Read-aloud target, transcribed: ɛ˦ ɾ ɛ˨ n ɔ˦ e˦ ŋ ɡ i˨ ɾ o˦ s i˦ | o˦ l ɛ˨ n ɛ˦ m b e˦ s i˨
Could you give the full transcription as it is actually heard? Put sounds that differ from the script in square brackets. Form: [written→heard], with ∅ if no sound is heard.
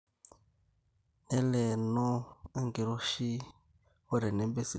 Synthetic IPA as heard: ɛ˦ [ɾ→l] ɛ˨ n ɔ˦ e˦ ŋ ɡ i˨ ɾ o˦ [s→ʃ] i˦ | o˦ [l→ɾ] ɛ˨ n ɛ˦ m b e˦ s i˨

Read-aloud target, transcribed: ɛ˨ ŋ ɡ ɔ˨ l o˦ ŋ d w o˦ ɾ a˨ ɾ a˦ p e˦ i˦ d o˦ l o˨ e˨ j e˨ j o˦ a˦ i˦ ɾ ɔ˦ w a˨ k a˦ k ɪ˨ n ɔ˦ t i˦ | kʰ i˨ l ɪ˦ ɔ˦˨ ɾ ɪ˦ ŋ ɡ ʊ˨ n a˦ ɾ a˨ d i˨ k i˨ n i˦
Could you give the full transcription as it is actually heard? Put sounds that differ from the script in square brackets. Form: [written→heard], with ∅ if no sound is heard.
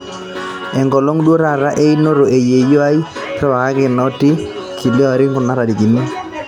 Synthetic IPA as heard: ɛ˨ ŋ ɡ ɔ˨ l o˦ ŋ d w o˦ ɾ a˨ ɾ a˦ [p→ʔ] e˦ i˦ [d→n] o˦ [l→ɾ] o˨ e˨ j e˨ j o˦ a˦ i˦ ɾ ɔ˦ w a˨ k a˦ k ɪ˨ n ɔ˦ t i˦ | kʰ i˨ l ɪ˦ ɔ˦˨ ɾ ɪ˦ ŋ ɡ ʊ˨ n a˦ ɾ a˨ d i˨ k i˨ n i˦

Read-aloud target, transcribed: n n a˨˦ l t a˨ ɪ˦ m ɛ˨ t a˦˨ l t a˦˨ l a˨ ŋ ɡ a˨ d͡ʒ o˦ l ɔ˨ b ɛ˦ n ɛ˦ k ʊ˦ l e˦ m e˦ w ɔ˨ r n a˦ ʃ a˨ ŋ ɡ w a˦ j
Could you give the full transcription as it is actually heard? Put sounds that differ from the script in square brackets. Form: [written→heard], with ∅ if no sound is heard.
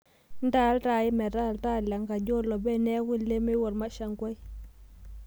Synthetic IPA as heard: n [n→d] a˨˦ l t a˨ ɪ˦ m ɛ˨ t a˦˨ l t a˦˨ l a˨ ŋ ɡ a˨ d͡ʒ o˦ l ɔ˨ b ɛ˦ n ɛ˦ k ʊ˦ l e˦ m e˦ w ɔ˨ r [n→m] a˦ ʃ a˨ ŋ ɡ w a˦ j

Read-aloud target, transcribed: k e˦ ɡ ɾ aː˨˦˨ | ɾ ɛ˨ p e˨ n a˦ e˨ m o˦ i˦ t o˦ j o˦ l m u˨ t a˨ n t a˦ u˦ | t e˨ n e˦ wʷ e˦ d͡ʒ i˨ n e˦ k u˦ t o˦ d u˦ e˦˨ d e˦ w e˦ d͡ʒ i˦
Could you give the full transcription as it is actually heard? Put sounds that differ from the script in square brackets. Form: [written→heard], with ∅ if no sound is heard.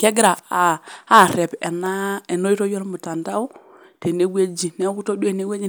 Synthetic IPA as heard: k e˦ ɡ ɾ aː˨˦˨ | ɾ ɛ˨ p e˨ n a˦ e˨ [m→n] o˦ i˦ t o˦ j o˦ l m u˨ t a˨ n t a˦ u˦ | t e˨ n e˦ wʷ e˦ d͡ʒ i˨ n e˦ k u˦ t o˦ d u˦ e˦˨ [d→n] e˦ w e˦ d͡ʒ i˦

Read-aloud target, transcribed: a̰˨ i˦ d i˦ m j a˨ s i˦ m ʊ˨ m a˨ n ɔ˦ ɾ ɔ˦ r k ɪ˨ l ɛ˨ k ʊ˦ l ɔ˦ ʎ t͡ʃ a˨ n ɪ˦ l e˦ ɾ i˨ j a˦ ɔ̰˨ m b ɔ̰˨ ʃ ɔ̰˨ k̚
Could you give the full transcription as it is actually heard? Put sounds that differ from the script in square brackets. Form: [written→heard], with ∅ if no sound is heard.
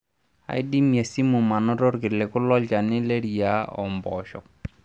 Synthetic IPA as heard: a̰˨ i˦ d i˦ m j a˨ s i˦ m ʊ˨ m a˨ n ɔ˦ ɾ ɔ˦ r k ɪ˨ l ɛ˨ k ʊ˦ l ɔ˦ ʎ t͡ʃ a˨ n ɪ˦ l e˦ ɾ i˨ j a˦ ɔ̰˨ m b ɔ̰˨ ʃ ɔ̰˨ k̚

